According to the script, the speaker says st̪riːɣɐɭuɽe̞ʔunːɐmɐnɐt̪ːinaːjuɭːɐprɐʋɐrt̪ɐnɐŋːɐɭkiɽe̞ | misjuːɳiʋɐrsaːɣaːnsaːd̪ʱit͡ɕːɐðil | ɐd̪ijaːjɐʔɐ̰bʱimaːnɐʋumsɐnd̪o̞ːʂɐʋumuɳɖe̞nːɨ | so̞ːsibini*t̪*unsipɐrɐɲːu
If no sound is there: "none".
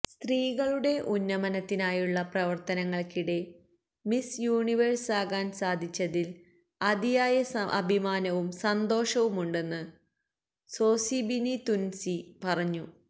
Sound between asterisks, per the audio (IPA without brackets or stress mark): t̪